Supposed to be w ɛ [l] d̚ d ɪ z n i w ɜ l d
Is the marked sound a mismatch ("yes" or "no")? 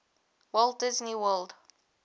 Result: no